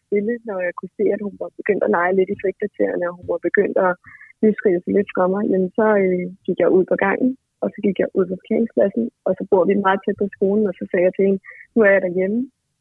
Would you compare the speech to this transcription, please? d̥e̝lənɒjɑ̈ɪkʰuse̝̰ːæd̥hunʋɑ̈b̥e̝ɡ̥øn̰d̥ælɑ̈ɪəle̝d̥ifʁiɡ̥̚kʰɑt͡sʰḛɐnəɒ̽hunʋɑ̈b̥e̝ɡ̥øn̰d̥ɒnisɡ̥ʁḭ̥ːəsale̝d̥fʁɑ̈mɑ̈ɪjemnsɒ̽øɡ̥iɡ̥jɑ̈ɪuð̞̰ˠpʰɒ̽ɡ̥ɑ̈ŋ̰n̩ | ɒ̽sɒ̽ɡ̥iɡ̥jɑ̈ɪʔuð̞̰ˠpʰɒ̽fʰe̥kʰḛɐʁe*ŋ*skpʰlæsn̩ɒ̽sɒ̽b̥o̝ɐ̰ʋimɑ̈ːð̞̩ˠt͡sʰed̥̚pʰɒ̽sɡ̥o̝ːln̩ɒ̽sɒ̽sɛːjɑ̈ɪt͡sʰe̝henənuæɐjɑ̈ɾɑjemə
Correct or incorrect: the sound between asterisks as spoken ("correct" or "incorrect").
correct